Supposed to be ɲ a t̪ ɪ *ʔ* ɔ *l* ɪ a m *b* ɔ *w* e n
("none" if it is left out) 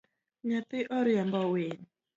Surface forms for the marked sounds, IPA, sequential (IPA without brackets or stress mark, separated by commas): ʔ, ɾ, b, w